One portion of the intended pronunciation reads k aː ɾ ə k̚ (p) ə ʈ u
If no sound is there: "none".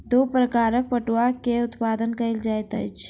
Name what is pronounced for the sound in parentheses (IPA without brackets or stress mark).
p